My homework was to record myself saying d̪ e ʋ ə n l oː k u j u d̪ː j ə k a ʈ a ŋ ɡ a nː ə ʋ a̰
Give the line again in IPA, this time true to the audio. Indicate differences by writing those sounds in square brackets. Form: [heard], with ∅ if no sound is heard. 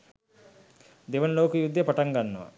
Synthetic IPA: d̪ e ʋ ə n l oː k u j u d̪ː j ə [p] a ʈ a ŋ ɡ a nː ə ʋ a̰